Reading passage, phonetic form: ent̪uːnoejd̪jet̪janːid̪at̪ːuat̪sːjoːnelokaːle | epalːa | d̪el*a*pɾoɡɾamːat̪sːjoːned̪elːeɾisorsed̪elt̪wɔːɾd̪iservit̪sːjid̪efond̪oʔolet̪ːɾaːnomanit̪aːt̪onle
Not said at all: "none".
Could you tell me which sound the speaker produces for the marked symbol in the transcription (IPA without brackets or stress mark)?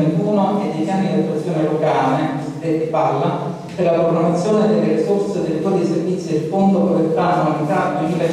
a